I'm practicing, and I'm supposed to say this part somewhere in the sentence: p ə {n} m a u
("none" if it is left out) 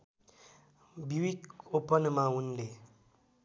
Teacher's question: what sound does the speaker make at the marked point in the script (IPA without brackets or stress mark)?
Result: n